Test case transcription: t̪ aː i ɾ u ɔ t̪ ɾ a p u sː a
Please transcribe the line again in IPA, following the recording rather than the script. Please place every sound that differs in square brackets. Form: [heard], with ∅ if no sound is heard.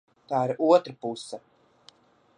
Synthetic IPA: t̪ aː i ɾ u ɔ t̪ ɾ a p u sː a